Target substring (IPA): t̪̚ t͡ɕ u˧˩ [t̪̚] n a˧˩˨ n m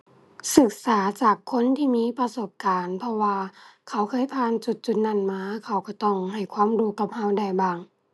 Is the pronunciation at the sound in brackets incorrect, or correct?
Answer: correct